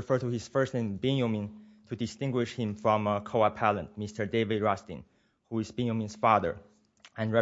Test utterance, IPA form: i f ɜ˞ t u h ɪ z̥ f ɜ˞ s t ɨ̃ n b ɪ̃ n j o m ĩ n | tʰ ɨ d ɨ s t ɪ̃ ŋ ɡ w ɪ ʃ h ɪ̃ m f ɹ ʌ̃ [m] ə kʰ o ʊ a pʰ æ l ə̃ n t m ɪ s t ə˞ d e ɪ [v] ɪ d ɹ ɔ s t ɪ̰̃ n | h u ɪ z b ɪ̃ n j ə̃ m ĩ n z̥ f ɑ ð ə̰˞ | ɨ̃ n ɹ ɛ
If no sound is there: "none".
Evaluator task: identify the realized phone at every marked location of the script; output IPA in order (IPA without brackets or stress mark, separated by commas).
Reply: m, v